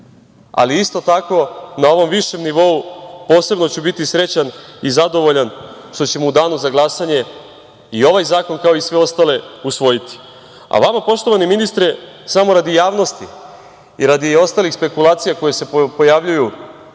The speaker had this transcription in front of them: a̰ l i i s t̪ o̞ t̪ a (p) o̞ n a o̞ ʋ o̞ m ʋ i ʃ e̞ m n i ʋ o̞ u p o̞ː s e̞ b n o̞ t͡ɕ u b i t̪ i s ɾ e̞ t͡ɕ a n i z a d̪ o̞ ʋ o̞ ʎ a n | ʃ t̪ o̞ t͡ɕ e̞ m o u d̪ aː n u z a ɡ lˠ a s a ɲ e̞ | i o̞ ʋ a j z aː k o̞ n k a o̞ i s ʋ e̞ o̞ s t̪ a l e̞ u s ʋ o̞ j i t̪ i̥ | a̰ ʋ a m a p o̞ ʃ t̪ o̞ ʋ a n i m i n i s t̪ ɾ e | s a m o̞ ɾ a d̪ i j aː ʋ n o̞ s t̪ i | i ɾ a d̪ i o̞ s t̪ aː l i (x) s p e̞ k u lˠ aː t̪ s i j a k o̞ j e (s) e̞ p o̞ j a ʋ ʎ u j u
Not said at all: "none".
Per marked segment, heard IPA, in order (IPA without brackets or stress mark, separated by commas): k, x, s